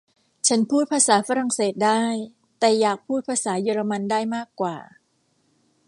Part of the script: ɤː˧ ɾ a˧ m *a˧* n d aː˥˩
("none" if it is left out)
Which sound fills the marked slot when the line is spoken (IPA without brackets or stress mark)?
a˧